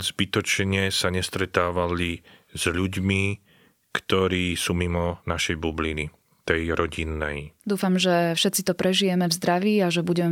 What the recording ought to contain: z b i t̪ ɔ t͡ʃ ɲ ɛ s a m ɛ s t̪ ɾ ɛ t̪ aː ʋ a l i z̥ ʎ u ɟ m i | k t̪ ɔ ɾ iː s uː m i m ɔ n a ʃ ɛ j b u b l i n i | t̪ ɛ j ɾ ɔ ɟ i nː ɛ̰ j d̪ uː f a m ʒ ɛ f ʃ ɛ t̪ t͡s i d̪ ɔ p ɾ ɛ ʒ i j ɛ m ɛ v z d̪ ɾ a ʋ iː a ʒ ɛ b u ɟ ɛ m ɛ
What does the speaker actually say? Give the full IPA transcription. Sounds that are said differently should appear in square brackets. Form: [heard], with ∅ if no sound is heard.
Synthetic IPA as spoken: z b i t̪ ɔ t͡ʃ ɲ ɛ s a [ɲ] ɛ s t̪ ɾ ɛ t̪ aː ʋ a l i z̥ ʎ u ɟ m i | k t̪ ɔ ɾ iː s uː m i m ɔ n a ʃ ɛ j b u b l i n i | t̪ ɛ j ɾ ɔ ɟ i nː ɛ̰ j d̪ uː f a m ʒ ɛ f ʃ ɛ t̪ t͡s i [t̪] ɔ p ɾ ɛ ʒ i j ɛ m ɛ v z d̪ ɾ a ʋ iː a ʒ ɛ b u ɟ ɛ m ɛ